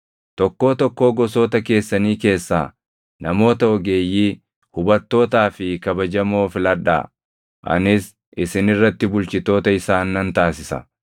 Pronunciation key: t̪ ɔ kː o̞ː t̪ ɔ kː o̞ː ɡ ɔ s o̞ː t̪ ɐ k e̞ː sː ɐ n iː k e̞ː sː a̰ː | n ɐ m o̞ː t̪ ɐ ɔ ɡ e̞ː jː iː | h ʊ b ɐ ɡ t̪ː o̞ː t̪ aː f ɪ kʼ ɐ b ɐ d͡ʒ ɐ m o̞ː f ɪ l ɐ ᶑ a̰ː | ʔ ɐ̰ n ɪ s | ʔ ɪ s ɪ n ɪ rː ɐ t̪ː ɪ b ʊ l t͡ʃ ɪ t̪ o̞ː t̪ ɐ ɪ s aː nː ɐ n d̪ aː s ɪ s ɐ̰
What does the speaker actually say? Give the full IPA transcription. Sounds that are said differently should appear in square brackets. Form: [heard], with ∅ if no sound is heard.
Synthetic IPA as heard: t̪ ɔ kː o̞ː t̪ ɔ kː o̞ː ɡ ɔ s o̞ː t̪ ɐ k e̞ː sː ɐ n iː k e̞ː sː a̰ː | n ɐ m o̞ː t̪ ɐ ɔ ɡ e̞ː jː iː | h ʊ b ɐ [∅] t̪ː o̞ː t̪ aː f ɪ [k] ɐ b ɐ d͡ʒ ɐ m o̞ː f ɪ l ɐ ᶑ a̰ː | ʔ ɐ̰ n ɪ s | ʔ ɪ s ɪ n ɪ rː ɐ t̪ː ɪ b ʊ l t͡ʃ ɪ t̪ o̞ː t̪ ɐ ɪ s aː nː ɐ n [t̪] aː s ɪ s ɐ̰